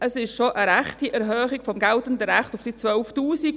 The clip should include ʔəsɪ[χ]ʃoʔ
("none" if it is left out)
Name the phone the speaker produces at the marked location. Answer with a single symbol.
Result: ʃ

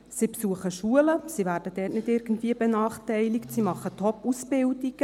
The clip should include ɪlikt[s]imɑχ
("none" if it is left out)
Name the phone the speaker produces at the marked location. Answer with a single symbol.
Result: s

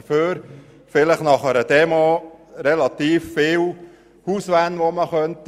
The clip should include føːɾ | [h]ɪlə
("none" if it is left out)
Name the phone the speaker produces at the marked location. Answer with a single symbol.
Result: f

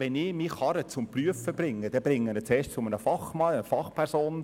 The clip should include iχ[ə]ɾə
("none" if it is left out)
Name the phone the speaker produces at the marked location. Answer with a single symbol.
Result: ɑ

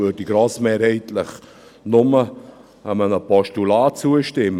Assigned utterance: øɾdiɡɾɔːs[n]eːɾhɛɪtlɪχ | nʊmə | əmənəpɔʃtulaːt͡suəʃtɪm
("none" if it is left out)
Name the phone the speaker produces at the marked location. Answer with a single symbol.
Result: m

